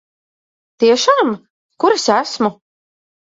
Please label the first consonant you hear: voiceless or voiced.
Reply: voiceless